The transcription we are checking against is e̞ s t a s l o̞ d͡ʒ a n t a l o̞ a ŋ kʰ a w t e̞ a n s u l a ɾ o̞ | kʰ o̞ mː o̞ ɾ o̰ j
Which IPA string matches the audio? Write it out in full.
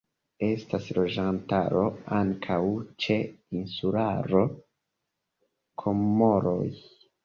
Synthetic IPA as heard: e̞ s t a s l o̞ d͡ʒ a n t a ɾ o̞ a ŋ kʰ a w t͡ʃ e̞ i n s u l a ɾ o̞ | kʰ o̞ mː o̞ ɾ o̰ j